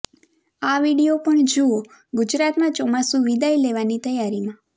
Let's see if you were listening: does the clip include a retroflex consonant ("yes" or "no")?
yes